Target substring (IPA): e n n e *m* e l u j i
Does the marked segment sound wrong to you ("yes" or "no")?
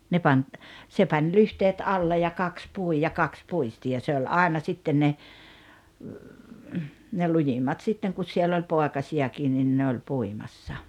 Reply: yes